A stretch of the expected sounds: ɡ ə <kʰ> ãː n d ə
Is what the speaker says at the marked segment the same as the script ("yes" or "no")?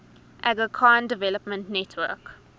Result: yes